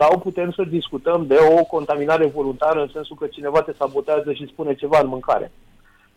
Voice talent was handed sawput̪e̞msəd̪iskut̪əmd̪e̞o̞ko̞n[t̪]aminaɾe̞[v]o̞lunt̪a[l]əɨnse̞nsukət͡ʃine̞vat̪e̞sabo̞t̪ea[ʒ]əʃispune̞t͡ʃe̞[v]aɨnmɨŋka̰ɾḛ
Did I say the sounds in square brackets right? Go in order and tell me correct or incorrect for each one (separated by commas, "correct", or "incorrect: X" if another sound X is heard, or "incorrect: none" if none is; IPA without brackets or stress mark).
correct, correct, incorrect: ɾ, incorrect: z, correct